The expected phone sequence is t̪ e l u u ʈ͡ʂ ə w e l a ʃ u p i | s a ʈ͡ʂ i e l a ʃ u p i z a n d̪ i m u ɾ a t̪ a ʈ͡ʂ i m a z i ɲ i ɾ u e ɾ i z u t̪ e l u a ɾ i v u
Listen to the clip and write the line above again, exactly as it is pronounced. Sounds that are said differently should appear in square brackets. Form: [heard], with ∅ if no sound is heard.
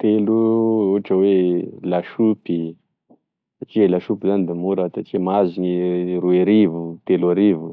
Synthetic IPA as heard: t̪ e l u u ʈ͡ʂ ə w e l a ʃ u p i | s a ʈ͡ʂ i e l a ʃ u p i z a n d̪ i m u ɾ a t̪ a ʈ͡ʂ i m a z i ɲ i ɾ u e ɾ i [v] u t̪ e l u a ɾ i v u